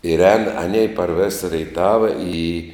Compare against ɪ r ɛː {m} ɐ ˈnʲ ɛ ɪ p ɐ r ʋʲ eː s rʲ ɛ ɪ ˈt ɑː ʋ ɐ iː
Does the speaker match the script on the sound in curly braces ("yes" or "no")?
no